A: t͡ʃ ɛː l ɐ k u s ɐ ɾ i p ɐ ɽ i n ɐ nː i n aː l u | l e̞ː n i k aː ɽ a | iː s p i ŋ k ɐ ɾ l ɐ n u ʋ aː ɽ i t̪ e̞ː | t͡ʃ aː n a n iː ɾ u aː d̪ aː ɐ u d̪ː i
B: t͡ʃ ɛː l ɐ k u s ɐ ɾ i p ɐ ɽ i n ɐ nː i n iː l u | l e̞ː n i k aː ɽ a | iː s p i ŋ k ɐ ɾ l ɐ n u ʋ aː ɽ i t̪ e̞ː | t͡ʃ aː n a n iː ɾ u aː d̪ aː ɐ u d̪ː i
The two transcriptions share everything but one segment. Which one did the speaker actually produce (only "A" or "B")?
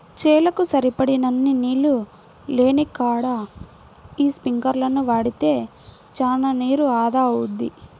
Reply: B